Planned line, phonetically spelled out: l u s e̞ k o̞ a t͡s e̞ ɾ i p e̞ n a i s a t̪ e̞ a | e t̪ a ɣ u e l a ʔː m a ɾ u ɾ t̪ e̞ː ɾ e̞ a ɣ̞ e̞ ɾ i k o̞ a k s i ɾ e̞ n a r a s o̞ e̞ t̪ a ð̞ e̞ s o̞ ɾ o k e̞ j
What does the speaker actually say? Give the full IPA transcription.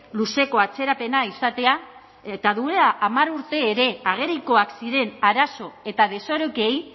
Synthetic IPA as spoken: l u s e̞ k o̞ a t͡s e̞ ɾ a p e̞ n a i s a t̪ e̞ a | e t̪ a ð u e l a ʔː m a ɾ u ɾ t̪ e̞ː ɾ e̞ a ɣ̞ e̞ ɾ i k o̞ a k s i ɾ e̞ n a ɾ a s o̞ e̞ t̪ a ð̞ e̞ s o̞ ɾ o k e̞ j

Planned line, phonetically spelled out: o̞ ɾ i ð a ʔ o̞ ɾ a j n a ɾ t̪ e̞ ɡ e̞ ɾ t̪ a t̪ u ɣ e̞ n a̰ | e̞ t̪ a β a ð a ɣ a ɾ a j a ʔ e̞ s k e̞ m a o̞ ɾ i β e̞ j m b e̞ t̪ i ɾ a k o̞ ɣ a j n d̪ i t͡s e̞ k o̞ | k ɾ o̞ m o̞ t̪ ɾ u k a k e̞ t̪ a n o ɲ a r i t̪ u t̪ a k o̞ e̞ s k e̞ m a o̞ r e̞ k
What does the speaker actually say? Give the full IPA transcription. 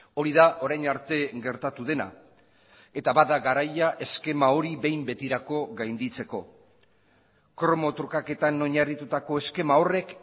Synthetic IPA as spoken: o̞ ɾ i ð a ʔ o̞ ɾ a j n a ɾ t̪ e̞ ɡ e̞ ɾ t̪ a t̪ u ð e̞ n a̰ | e̞ t̪ a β a ð a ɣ a ɾ a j a ʔ e̞ s k e̞ m a o̞ ɾ i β e̞ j m b e̞ t̪ i ɾ a k o̞ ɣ a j n d̪ i t͡s e̞ k o̞ | k ɾ o̞ m o̞ t̪ ɾ u k a k e̞ t̪ a n o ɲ a r i t̪ u t̪ a k o̞ e̞ s k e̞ m a o̞ r e̞ k

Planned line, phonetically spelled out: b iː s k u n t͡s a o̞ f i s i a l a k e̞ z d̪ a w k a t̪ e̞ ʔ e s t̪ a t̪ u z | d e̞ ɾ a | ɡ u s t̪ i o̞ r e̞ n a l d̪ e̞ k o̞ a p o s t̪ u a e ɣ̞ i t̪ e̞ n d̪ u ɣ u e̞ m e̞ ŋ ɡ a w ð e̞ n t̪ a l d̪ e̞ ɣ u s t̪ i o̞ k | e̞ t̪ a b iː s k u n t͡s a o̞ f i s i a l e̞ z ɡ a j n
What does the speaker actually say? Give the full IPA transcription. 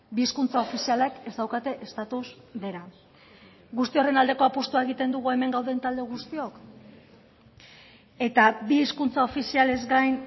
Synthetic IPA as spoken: b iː s k u n t͡s a o̞ f i s i a l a k e̞ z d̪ a w k a t̪ e̞ ʔ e s t̪ a t̪ u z | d e̞ ɾ a | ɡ u s t̪ i o̞ r e̞ n a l d̪ e̞ k o̞ a p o s t̪ u a e ɣ̞ i t̪ e̞ n d̪ u ɣ u e̞ m e̞ ŋ ɡ a w ð e̞ n t̪ a l d̪ e̞ ɣ u s t̪ i o̞ k | e̞ t̪ a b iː s k u n t͡s a o̞ f i s i a l e̞ z ɡ a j n

